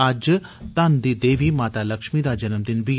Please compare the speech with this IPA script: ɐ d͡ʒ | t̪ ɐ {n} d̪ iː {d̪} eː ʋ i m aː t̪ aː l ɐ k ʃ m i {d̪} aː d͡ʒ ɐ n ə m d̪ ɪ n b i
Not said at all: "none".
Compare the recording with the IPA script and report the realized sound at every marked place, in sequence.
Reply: n, d̪, d̪

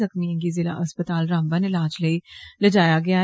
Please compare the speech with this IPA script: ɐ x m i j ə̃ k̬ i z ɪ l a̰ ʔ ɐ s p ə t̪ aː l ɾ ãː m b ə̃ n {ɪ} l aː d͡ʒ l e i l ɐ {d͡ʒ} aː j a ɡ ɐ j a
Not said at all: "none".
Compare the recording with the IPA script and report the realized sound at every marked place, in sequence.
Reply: ɪ, d͡ʒ

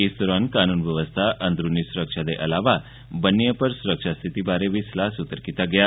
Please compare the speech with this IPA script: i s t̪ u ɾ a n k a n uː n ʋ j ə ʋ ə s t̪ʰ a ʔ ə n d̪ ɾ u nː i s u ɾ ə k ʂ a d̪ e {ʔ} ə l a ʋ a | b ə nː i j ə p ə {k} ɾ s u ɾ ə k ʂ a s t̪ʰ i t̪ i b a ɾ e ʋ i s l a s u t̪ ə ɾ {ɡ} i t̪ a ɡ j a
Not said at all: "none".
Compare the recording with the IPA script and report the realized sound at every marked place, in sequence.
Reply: ʔ, none, k

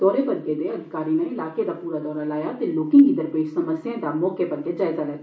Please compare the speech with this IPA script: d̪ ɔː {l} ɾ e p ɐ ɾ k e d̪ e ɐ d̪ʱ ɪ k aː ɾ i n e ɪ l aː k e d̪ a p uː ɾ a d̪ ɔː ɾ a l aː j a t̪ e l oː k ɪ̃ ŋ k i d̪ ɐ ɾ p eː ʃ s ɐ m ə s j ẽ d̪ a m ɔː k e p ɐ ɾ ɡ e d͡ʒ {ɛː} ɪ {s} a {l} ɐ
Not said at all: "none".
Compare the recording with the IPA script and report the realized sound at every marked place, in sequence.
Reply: none, aː, z, l

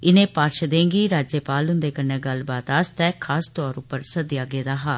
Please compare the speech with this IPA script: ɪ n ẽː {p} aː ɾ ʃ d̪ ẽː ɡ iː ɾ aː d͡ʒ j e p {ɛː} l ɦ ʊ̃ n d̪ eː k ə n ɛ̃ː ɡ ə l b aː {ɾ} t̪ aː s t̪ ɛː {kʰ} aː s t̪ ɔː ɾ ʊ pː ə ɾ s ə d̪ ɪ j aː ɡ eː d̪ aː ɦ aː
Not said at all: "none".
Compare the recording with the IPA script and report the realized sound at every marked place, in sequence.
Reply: p, aː, none, kʰ

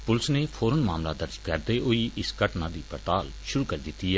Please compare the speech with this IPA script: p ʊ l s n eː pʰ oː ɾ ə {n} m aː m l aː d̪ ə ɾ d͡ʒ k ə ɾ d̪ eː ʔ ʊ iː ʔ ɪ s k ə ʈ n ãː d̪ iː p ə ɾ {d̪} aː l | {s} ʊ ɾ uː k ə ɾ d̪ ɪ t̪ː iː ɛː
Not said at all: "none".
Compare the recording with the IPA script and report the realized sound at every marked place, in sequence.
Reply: n, t̪, ʃ

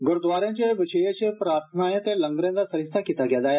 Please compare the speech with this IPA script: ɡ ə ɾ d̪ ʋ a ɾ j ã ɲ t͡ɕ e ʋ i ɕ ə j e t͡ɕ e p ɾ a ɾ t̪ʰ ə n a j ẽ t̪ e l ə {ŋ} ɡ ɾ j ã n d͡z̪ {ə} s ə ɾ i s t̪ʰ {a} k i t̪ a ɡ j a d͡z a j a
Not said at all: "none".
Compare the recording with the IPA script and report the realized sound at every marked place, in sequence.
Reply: ŋ, a, a

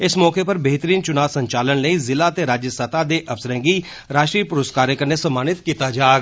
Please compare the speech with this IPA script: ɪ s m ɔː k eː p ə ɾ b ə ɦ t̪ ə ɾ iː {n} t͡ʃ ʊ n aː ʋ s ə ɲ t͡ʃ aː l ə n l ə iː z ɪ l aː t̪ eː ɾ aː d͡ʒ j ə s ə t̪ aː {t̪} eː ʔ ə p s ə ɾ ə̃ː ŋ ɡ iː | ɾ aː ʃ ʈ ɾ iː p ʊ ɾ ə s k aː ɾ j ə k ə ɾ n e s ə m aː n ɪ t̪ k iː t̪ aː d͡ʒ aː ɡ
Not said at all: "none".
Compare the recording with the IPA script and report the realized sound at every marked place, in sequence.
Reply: n, d̪

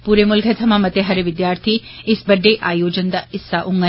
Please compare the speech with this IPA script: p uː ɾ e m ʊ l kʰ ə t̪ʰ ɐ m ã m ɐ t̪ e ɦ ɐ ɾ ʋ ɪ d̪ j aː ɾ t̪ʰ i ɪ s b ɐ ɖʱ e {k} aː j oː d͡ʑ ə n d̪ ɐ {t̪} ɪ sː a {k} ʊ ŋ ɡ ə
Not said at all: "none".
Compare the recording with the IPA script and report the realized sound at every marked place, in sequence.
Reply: ʔ, none, ʔ

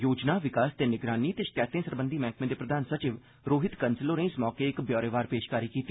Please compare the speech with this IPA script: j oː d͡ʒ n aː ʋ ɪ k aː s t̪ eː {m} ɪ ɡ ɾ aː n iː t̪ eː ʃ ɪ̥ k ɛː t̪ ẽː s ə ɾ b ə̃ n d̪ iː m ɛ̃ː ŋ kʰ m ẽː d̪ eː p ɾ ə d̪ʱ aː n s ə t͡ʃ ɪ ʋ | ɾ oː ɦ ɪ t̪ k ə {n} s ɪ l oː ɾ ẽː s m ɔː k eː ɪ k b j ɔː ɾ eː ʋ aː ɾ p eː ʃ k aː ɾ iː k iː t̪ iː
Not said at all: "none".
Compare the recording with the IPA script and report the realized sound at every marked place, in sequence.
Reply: n, n

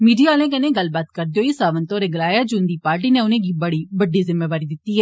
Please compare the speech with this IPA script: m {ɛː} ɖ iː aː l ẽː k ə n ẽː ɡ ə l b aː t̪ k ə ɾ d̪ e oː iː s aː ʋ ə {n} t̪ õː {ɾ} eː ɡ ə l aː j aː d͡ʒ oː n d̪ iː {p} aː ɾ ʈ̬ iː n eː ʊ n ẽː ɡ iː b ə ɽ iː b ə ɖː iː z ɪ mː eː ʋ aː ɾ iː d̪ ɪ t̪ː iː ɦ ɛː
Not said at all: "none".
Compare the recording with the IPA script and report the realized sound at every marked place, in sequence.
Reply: iː, n, ɾ, p

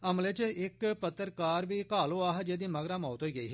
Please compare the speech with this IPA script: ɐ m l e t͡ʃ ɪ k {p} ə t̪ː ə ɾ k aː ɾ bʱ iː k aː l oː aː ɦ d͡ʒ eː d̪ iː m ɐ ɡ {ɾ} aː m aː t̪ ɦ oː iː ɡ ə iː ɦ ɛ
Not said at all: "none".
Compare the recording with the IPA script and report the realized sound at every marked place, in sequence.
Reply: p, ɾ

